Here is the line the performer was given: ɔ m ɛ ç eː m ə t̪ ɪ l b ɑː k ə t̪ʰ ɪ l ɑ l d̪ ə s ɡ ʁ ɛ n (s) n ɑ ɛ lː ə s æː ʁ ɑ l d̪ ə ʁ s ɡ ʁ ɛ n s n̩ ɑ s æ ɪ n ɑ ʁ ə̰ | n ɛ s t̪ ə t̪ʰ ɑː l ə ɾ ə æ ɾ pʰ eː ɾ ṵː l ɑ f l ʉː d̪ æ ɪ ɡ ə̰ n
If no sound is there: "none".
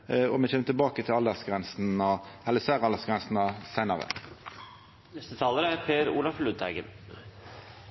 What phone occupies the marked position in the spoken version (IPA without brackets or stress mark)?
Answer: s